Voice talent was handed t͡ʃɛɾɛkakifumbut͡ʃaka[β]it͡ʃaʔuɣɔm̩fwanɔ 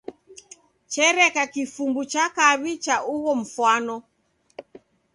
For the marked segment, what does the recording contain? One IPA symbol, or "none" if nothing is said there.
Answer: β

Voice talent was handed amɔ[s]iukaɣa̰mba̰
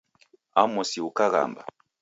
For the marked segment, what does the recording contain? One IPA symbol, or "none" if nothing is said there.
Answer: s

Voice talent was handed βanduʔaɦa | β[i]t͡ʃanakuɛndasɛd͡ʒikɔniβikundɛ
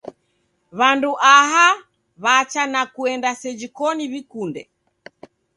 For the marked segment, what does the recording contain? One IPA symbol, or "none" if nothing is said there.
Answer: a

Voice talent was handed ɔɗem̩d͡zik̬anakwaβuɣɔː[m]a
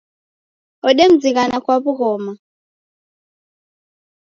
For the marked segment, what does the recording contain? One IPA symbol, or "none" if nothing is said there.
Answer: m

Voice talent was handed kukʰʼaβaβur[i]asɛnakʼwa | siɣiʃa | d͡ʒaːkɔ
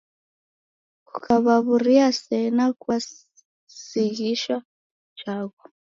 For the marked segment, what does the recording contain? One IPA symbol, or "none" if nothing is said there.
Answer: i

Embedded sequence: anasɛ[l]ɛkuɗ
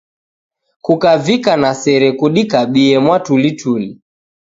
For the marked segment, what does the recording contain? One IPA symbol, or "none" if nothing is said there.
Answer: ɾ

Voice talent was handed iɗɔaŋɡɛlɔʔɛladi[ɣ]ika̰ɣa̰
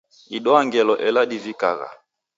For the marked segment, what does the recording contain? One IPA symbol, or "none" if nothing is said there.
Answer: v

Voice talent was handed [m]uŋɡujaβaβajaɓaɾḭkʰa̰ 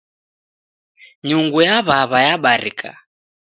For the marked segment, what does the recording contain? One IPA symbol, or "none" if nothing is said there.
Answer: ɲ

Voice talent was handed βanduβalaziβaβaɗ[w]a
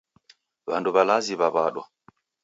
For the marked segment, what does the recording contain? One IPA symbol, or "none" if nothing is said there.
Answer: w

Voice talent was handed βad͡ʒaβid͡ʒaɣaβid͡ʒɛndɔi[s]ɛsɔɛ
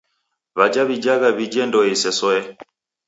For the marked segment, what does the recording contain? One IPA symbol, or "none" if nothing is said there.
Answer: s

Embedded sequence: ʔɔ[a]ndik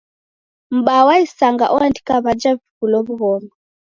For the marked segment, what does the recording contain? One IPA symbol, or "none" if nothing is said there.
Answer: a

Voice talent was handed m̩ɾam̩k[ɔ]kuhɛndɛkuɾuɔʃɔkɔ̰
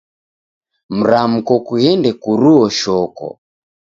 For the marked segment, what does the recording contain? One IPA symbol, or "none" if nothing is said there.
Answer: ɔ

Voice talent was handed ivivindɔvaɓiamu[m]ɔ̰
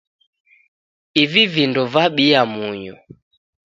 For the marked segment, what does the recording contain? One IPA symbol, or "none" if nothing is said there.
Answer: ɲ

